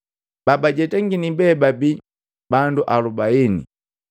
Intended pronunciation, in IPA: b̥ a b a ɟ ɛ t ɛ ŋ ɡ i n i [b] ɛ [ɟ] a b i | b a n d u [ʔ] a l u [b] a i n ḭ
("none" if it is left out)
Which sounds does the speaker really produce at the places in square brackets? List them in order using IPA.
b, b, ʔ, b

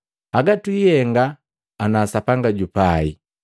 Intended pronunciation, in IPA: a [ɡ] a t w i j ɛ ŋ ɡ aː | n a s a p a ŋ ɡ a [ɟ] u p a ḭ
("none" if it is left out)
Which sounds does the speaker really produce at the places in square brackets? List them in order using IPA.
ɡ, ɟ

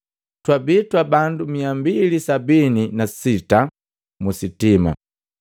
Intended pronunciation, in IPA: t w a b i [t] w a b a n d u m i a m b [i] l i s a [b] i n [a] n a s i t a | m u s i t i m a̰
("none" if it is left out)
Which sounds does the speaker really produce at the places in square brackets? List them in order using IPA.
t, i, b, i

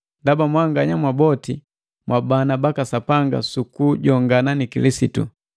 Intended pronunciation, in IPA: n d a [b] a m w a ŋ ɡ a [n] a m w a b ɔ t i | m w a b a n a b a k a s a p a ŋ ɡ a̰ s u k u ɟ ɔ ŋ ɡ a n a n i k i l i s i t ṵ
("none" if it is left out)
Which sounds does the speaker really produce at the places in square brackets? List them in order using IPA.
b, ɲ

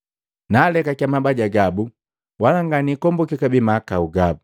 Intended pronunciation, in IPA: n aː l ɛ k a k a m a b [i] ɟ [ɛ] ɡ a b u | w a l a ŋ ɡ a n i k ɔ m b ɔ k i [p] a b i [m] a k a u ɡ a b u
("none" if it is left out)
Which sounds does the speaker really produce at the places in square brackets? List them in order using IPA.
a, a, k, m

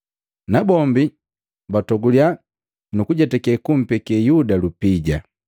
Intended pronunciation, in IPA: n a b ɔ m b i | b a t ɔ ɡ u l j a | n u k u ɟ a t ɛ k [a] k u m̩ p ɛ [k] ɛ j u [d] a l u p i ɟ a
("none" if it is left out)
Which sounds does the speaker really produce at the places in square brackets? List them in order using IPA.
ɛ, k, d

